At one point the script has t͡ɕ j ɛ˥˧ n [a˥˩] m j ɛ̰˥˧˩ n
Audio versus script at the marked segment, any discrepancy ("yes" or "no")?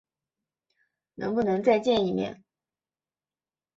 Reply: yes